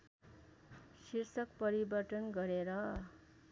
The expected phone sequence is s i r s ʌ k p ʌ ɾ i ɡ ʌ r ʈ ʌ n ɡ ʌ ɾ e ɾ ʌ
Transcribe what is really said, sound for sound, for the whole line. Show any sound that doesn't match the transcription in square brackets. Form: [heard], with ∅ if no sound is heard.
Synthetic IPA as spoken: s i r s ʌ k p ʌ ɾ i [b] ʌ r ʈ ʌ n ɡ ʌ ɾ e ɾ ʌ